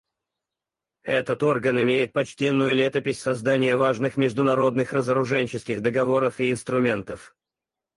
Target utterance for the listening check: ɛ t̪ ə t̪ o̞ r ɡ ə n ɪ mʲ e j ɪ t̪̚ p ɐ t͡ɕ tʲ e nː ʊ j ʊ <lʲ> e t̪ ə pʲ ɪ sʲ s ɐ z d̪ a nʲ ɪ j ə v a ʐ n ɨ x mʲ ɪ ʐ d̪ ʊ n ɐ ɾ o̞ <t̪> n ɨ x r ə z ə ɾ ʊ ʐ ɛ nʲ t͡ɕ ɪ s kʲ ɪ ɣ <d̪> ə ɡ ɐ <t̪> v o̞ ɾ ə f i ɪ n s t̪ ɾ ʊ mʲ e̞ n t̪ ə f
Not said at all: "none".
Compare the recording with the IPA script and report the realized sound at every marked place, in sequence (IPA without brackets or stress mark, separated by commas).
lʲ, d̪, d̪, none